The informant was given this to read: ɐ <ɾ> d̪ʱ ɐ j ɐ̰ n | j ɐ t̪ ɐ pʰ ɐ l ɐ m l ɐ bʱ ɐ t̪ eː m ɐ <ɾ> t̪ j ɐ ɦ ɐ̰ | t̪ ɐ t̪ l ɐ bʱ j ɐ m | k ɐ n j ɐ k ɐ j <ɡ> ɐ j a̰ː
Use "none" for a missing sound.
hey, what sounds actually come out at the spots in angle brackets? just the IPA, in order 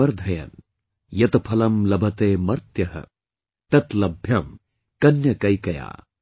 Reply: ɾ, ɾ, k

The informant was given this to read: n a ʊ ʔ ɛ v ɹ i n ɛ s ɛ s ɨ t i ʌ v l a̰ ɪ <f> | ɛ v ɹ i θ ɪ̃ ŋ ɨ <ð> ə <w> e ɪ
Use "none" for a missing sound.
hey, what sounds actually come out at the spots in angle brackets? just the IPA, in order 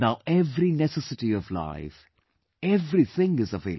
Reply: f, z, v

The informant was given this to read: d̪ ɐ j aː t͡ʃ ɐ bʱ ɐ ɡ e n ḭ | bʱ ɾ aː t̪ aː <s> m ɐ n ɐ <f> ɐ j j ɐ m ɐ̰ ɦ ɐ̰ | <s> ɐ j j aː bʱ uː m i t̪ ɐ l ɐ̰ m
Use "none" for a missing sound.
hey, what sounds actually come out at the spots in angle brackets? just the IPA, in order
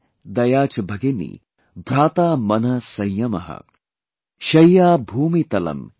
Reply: none, s, ʃ

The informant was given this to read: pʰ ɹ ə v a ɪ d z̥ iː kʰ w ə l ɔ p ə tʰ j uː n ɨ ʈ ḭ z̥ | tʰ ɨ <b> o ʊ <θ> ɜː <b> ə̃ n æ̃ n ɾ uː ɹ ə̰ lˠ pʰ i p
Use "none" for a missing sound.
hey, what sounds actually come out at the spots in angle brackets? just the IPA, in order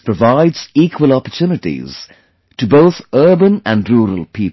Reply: b, θ, b

